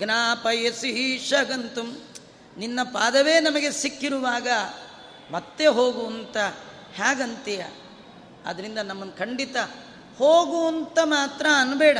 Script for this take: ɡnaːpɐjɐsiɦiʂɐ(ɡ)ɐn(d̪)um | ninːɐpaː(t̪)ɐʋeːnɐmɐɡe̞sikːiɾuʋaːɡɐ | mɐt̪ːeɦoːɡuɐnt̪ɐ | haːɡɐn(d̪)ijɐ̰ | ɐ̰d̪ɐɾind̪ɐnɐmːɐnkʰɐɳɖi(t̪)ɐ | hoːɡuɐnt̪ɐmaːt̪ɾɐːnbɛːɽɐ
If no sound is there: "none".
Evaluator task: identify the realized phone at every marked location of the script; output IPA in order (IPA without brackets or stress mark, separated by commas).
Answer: ɡ, t̪, d̪, t̪, t̪